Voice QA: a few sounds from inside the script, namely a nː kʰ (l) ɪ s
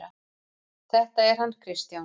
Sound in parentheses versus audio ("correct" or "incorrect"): incorrect